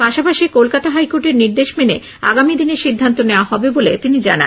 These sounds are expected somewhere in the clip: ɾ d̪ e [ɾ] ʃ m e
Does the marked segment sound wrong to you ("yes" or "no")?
yes